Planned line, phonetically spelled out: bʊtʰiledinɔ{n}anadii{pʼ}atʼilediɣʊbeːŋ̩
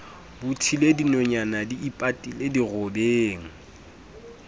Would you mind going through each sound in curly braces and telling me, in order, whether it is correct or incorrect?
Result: incorrect: ɲ, correct

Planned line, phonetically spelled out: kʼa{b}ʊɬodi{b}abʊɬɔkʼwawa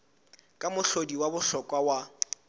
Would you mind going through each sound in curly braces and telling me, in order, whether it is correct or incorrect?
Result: incorrect: m, incorrect: w

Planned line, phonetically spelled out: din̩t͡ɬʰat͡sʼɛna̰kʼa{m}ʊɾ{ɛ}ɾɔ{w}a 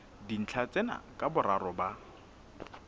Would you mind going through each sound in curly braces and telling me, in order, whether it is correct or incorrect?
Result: incorrect: b, incorrect: a, incorrect: b

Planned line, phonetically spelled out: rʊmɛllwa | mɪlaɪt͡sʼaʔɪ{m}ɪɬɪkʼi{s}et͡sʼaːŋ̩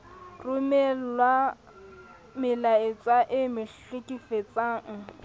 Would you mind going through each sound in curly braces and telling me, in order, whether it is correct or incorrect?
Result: correct, incorrect: f

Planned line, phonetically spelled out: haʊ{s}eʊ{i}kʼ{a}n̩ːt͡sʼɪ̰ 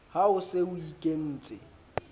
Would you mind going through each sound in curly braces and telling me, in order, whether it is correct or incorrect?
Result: correct, correct, incorrect: e

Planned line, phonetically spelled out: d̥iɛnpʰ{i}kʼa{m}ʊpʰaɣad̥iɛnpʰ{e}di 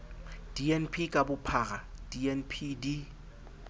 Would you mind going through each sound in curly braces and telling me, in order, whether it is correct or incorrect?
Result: correct, incorrect: b, incorrect: i

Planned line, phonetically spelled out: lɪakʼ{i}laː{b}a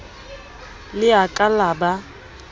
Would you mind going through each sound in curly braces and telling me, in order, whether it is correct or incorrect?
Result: incorrect: a, correct

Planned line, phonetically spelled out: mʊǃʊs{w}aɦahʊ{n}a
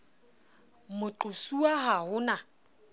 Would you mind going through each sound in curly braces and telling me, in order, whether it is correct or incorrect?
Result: incorrect: u, correct

